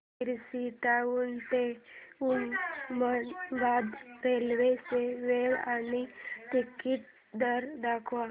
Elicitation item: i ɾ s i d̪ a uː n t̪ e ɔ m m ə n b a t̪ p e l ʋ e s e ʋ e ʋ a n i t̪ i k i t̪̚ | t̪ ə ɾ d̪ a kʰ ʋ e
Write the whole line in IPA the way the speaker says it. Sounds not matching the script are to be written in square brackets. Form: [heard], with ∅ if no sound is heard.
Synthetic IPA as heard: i ɾ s i [t̪] a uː n t̪ e [u] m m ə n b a [d̪] p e l ʋ e s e ʋ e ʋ a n i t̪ i k i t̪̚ | [d̪] ə ɾ d̪ a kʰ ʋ [a]